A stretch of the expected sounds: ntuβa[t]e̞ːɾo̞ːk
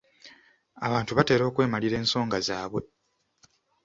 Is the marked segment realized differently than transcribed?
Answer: no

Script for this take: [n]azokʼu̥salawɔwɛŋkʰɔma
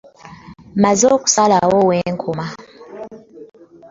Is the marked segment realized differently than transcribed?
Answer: yes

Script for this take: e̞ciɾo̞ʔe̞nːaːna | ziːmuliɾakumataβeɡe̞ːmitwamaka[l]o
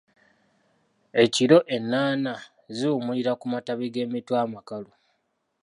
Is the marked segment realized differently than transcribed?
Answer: no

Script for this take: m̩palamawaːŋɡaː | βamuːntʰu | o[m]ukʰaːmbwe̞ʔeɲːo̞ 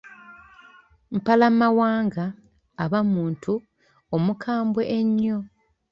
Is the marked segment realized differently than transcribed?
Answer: no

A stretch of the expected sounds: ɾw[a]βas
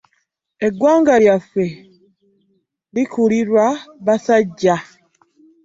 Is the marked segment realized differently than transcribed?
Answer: no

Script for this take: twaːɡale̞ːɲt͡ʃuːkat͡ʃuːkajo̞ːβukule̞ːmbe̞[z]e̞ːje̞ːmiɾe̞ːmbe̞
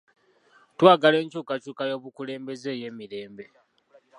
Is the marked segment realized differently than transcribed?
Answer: no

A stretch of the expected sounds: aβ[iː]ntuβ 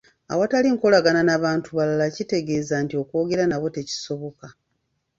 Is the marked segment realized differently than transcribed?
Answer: yes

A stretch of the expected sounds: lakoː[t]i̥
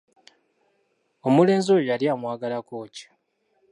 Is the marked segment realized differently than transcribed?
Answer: yes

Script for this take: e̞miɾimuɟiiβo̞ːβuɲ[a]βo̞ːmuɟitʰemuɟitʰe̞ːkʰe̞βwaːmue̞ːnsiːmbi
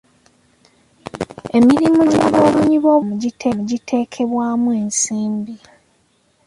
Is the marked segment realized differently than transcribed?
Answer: yes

